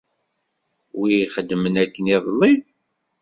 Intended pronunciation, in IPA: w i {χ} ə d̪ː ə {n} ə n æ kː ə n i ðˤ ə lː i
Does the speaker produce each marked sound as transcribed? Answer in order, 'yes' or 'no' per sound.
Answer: yes, no

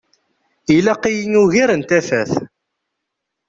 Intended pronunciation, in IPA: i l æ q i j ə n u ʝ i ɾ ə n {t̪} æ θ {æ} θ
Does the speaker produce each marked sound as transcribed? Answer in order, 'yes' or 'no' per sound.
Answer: yes, yes

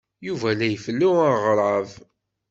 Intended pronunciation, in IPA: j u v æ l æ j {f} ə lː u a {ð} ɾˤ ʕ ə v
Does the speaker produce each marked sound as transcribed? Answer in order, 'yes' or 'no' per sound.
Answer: yes, no

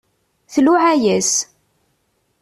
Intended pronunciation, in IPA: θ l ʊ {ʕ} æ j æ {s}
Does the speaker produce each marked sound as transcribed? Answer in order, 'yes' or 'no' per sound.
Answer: yes, yes

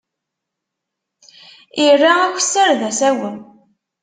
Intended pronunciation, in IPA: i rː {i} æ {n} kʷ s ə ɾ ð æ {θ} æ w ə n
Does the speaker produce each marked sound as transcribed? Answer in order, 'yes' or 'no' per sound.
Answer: no, no, no

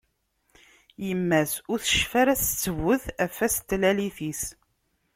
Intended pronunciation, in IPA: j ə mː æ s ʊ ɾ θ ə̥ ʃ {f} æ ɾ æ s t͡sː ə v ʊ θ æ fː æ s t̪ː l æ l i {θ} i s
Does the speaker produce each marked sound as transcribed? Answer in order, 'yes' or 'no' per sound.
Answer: yes, yes

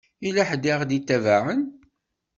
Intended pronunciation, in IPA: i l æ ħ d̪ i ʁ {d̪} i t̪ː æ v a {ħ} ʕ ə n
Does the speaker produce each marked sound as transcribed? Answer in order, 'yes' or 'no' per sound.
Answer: yes, no

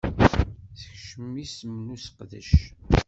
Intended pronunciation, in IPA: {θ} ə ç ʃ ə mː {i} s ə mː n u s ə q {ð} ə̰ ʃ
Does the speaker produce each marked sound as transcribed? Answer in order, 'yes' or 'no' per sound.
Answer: yes, yes, yes

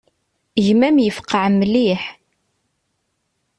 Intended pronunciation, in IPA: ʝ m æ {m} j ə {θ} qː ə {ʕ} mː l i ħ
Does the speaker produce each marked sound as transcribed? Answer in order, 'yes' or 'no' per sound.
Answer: yes, no, yes

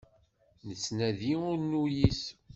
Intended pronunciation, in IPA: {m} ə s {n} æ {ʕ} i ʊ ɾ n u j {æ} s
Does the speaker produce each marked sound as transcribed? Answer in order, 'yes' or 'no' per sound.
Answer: no, yes, no, no

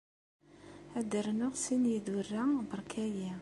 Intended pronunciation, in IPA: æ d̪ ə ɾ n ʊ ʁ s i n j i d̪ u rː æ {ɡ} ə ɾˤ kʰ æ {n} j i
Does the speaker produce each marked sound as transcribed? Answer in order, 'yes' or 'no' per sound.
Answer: no, no

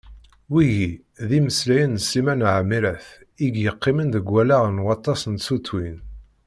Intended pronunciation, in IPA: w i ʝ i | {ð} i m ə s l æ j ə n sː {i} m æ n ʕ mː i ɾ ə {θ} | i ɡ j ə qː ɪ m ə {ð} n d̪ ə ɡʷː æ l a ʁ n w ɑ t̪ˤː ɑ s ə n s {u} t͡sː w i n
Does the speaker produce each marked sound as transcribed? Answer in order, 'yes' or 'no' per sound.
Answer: yes, yes, yes, no, yes

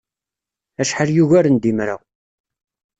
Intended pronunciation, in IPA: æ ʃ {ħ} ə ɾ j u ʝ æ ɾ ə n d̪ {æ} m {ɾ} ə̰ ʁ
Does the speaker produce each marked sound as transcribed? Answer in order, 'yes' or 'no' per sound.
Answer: yes, no, yes

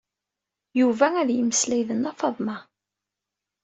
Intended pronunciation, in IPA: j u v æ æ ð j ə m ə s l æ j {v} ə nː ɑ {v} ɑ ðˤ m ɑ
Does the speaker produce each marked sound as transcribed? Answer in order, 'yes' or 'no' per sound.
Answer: no, no

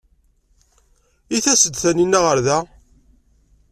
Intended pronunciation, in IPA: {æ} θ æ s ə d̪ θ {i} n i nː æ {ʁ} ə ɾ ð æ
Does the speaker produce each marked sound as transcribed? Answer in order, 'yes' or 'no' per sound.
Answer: no, no, yes

